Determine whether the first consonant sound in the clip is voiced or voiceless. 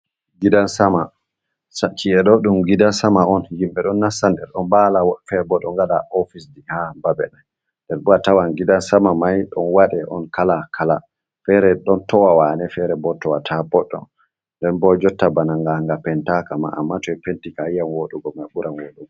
voiced